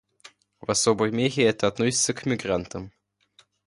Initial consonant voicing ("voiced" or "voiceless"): voiced